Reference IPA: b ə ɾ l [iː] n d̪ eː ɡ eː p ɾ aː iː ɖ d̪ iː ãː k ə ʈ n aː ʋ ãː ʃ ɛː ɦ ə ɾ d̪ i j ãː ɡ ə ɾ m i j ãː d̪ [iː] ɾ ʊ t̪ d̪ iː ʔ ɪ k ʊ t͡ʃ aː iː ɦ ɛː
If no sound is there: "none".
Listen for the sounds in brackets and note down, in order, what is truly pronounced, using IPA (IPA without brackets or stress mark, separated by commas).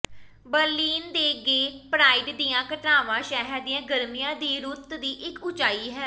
iː, iː